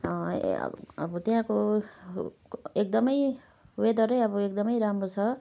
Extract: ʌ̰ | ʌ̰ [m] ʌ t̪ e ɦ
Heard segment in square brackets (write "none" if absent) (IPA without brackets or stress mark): b